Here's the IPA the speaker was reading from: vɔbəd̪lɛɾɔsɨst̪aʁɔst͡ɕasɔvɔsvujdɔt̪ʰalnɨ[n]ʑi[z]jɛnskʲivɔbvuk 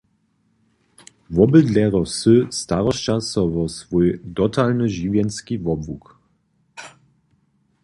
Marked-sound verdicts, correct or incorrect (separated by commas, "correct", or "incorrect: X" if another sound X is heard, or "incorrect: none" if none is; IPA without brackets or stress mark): incorrect: none, incorrect: v